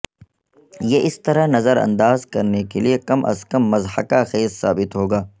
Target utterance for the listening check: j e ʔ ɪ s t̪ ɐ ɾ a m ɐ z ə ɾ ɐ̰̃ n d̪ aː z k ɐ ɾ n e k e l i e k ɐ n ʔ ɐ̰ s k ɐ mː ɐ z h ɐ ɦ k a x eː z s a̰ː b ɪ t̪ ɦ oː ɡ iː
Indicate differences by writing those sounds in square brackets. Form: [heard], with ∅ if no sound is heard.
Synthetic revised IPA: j e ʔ ɪ s t̪ ɐ ɾ a [n] ɐ z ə ɾ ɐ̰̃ n d̪ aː z k ɐ ɾ n e k e l i e k ɐ [m] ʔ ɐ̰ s k ɐ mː ɐ z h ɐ [∅] k a x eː z s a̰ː b ɪ t̪ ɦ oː ɡ [aː]